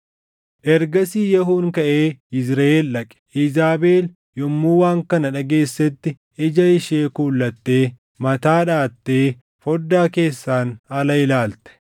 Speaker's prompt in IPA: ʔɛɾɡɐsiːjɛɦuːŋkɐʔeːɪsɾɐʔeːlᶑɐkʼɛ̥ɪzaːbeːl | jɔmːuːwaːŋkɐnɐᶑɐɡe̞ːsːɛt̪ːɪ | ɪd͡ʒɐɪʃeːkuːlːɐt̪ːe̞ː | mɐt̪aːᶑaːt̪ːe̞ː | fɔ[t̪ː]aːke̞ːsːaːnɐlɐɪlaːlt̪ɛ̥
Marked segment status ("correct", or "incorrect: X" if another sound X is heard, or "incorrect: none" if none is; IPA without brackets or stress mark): incorrect: d̪ː